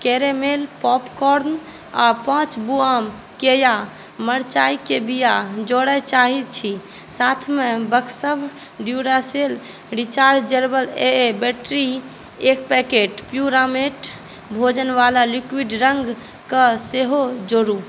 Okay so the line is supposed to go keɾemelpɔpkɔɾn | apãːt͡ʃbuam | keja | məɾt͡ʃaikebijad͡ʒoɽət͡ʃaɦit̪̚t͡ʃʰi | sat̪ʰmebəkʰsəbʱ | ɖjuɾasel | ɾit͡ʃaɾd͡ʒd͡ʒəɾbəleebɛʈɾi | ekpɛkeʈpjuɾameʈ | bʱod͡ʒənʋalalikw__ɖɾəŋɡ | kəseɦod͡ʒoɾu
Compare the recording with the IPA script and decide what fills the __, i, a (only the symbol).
i